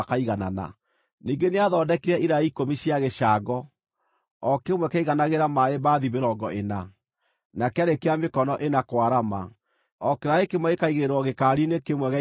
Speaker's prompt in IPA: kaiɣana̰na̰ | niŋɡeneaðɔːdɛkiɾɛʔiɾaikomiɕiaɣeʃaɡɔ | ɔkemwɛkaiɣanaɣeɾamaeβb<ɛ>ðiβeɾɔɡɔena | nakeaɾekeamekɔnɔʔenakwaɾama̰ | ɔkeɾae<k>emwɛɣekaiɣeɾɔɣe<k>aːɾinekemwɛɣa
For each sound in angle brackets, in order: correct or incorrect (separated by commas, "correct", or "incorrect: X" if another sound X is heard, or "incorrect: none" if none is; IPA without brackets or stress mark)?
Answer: incorrect: a, correct, correct